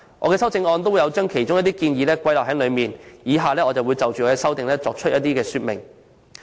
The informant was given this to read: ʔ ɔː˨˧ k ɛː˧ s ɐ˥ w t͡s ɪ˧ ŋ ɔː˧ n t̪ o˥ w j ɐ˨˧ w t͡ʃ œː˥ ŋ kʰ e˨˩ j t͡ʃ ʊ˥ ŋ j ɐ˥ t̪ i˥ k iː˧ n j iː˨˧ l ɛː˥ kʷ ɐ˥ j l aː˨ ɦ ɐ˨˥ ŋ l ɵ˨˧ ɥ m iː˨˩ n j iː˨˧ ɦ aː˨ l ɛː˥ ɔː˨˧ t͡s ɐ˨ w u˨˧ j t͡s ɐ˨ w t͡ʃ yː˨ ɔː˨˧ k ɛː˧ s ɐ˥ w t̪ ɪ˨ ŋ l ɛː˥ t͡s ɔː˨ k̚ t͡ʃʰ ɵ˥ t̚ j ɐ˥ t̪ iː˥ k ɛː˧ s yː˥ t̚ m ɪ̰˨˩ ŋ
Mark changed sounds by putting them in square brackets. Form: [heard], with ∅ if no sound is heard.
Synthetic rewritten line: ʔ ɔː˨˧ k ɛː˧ s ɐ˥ w t͡s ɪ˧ ŋ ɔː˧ n t̪ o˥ w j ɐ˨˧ w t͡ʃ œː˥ ŋ kʰ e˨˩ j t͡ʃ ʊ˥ ŋ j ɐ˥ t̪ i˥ k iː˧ n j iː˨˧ l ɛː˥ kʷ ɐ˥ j l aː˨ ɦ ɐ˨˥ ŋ l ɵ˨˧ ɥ m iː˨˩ n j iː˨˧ ɦ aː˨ l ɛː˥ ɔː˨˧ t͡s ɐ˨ w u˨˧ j t͡s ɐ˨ w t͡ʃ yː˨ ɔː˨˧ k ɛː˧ s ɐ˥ w t̪ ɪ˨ ŋ l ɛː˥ t͡s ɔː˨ k̚ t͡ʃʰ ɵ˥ t̚ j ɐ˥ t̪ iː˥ k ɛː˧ s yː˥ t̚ m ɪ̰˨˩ ŋ